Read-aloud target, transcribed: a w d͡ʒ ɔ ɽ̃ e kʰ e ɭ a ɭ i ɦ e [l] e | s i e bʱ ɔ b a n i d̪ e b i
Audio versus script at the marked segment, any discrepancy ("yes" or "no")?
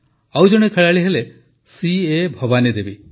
no